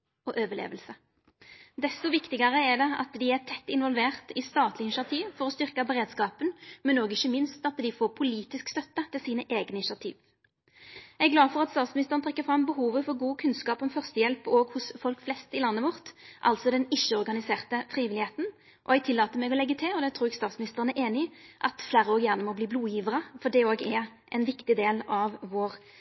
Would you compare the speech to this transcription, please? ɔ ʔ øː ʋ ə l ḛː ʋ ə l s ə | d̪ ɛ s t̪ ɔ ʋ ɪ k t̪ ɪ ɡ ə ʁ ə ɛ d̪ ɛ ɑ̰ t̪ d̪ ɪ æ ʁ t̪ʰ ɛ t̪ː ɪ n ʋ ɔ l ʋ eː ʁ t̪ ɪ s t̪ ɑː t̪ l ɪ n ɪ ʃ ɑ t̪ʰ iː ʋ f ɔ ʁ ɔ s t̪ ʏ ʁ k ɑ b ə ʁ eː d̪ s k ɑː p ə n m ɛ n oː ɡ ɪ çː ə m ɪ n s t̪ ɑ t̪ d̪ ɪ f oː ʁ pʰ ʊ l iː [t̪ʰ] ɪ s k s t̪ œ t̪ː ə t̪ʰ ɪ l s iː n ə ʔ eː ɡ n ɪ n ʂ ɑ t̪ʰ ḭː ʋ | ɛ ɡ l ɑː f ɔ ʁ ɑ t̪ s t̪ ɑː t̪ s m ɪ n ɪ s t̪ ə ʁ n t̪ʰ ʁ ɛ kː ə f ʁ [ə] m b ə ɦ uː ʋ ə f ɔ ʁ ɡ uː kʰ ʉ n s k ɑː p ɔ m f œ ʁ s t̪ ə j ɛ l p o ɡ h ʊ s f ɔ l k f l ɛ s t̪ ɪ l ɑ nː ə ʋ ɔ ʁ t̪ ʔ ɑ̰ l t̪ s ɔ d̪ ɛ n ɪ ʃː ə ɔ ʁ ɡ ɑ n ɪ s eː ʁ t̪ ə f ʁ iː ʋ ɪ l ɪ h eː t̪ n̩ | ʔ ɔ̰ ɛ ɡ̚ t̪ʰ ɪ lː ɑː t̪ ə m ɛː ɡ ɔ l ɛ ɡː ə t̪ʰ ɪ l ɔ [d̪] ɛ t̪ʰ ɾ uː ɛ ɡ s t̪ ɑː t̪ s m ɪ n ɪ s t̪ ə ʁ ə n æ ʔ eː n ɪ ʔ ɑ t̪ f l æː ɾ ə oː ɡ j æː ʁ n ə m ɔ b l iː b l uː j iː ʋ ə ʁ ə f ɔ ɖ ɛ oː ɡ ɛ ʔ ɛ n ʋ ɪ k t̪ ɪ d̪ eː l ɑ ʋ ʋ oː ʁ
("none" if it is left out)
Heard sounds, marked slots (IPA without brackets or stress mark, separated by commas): t̪, ɑ, d̪